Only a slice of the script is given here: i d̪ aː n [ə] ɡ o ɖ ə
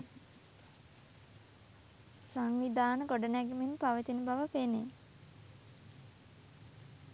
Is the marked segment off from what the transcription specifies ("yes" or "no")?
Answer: no